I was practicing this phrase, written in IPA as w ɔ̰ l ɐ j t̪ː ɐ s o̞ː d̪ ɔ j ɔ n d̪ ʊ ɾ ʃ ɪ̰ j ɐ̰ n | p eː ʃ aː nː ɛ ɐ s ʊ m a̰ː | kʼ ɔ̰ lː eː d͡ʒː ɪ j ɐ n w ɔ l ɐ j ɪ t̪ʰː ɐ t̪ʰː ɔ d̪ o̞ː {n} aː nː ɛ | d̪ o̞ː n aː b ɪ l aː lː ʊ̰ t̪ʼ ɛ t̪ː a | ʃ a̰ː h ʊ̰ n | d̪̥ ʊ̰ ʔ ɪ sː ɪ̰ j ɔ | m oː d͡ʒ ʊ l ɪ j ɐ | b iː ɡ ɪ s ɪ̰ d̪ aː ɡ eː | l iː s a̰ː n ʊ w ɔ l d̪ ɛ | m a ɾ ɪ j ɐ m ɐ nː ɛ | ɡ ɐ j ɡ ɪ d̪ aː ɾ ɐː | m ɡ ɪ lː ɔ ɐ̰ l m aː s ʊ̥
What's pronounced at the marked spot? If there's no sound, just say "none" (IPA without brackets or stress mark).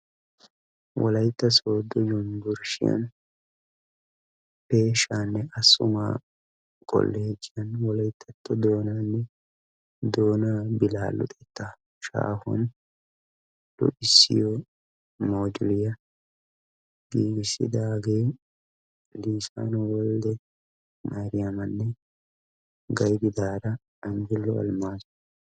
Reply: n